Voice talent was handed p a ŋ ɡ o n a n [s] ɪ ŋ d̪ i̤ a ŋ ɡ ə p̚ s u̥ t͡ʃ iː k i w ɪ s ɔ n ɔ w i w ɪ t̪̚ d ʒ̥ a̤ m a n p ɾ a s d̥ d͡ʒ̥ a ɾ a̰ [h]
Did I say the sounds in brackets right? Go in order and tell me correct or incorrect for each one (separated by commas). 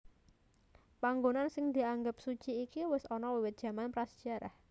correct, correct